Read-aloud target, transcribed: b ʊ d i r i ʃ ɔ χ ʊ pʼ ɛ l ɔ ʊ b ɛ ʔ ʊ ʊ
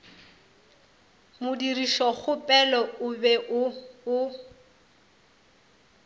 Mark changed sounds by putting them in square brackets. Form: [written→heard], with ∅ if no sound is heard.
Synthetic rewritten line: [b→m] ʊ d i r i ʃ ɔ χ ʊ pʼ ɛ l ɔ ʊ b ɛ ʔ ʊ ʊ